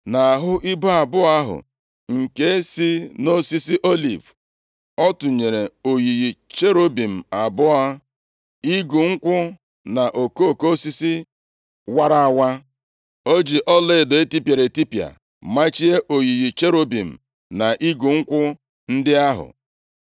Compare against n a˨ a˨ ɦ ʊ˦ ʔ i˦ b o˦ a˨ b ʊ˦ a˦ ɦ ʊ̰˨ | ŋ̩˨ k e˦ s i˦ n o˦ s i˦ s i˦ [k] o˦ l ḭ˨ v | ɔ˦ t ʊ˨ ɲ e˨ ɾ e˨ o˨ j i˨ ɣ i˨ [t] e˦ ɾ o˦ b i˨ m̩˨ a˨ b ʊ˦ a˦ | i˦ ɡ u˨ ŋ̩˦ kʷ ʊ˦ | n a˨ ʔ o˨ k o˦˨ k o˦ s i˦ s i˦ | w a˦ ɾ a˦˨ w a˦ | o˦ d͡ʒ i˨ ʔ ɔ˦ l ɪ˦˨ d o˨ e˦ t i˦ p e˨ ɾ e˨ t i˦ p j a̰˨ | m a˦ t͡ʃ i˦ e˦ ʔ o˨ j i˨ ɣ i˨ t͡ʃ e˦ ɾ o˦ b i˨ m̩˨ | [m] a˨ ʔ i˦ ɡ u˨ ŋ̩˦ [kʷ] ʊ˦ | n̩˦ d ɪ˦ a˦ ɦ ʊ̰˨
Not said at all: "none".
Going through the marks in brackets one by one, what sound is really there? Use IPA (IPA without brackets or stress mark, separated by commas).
ʔ, t͡ʃ, n, kʷ